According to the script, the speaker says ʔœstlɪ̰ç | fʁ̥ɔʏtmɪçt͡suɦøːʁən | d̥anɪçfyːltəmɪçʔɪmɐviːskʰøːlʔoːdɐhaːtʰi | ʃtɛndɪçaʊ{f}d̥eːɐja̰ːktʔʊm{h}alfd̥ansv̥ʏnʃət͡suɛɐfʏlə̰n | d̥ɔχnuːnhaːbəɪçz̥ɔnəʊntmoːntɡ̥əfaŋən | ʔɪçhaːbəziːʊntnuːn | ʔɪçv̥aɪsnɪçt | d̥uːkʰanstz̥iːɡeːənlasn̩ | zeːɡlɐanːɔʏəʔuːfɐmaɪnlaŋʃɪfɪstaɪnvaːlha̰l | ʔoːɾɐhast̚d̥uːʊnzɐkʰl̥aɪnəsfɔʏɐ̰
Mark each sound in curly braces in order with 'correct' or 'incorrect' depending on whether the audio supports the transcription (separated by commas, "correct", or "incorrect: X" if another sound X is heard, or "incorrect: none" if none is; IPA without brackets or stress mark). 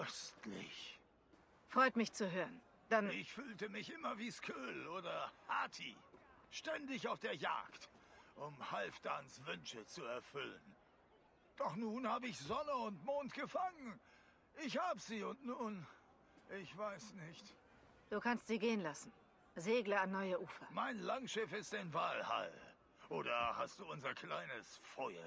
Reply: correct, correct